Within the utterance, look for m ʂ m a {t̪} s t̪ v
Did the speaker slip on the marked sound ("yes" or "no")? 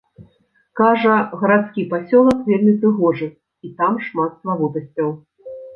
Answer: no